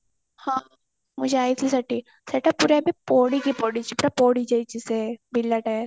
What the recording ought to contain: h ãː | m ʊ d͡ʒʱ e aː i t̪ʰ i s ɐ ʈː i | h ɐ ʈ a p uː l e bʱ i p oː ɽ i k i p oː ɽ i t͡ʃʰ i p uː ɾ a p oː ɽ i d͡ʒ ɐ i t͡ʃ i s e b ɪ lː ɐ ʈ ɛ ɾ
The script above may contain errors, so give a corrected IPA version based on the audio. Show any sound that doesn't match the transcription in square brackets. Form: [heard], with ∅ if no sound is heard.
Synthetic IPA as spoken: h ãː | m ʊ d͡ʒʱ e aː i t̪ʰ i s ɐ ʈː i | [s] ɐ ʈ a p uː [ɾ] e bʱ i p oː ɽ i k i p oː ɽ i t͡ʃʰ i p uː ɾ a p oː ɽ i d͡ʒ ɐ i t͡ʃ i s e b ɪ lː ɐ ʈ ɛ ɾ